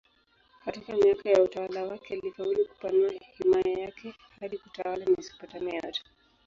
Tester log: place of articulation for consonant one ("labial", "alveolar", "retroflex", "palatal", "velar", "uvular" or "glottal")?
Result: velar